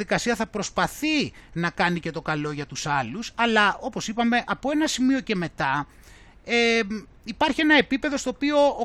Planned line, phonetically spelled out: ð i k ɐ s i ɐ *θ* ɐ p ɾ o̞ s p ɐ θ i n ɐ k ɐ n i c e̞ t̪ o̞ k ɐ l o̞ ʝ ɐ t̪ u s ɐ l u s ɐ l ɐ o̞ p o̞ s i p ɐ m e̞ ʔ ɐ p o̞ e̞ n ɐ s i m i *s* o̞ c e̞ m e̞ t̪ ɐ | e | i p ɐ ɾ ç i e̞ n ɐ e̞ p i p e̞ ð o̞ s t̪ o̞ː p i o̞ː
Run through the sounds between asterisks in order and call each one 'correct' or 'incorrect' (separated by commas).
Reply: correct, incorrect